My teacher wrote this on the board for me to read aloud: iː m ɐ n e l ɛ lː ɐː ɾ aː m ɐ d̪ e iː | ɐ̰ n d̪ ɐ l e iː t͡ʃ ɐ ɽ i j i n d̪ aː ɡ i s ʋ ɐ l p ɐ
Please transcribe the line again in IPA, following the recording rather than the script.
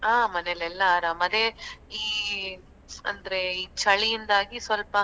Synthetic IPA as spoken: aː m ɐ n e l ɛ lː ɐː ɾ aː m ɐ d̪ e iː | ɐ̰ n d̪ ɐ ɾ e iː t͡ʃ ɐ ɭ i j i n d̪ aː ɡ i s ʋ ɐ l p ɐ